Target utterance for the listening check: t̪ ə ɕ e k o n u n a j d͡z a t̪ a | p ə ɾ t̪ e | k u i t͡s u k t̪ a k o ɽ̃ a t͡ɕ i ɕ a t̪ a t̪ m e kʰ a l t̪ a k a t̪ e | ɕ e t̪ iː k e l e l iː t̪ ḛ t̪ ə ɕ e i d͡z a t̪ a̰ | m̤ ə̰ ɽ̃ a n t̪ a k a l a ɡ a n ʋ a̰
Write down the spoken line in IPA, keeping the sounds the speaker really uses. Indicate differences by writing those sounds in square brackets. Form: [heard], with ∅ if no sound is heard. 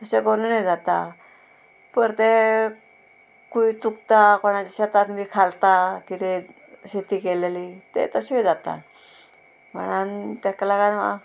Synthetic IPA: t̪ ə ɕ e k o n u n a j d͡z a t̪ a | p ə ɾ t̪ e | k u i t͡s u k t̪ a k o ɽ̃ a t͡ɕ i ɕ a t̪ a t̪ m [i] kʰ a l t̪ a k [i] t̪ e | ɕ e t̪ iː k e l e l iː t̪ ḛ t̪ ə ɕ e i d͡z a t̪ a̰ | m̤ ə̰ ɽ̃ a n t̪ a k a l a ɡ a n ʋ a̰